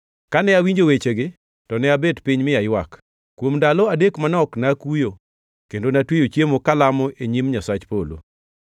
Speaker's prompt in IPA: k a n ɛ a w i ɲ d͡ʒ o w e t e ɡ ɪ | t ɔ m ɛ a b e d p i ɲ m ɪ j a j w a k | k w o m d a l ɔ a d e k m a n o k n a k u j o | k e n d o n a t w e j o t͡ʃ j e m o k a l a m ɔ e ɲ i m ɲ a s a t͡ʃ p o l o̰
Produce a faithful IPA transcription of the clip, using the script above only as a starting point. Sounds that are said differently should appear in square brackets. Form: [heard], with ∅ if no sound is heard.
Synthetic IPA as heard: k a n ɛ a w i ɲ d͡ʒ o w e [t͡ʃ] e ɡ ɪ | t ɔ [n] ɛ a b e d p i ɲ m ɪ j a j w a k | k w o m d a l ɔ a d e k m a n [ɔ] k n a k u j o | k e n d o n a t w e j o t͡ʃ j e m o k a l a m ɔ e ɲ i m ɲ a s a t͡ʃ p o l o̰